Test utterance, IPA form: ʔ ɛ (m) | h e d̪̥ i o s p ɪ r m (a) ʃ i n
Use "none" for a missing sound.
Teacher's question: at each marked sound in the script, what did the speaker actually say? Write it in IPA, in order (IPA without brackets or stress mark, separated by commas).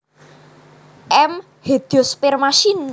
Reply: m, a